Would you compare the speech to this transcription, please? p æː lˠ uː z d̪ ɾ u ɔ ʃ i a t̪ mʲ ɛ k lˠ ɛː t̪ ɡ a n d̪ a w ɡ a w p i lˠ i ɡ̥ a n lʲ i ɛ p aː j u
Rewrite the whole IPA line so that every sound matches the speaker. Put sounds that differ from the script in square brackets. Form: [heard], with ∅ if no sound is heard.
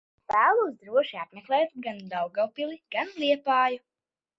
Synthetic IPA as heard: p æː lˠ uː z d̪ ɾ u ɔ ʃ i a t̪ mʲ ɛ k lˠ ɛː t̪ ɡ a n d̪ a w ɡ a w p i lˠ i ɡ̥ a n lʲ i ɛ p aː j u